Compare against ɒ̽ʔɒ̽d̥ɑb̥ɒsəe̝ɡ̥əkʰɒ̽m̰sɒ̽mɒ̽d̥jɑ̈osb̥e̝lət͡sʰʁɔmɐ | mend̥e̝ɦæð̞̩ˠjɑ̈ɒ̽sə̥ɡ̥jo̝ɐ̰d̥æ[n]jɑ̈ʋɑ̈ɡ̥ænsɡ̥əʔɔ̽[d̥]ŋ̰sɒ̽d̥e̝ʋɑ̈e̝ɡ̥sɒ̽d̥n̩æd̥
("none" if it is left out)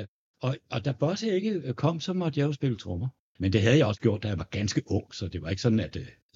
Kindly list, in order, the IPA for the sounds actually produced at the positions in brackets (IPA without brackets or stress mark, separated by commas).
none, none